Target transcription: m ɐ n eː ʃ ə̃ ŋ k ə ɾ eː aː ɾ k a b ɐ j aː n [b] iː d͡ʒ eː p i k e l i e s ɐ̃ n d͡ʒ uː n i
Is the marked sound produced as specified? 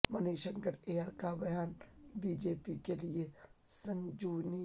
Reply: yes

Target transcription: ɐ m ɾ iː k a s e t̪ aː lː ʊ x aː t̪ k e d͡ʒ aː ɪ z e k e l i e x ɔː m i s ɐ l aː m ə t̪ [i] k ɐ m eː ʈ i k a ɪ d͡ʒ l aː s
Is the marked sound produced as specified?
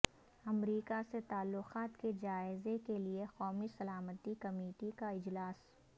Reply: yes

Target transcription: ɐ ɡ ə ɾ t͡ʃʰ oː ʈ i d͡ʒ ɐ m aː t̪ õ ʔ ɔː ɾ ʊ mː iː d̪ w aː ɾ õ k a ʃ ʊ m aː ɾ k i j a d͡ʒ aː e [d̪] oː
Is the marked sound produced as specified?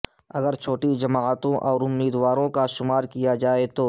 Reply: no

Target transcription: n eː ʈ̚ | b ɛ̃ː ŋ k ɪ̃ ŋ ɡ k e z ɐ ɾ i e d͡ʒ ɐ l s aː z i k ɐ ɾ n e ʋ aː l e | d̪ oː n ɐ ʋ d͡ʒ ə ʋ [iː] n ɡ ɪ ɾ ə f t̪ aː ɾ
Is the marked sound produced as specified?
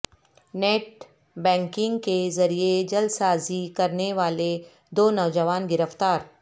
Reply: no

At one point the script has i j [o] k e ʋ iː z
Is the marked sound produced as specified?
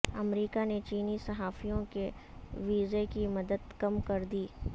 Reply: no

